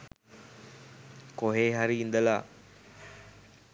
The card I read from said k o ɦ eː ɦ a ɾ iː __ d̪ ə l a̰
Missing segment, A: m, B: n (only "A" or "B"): B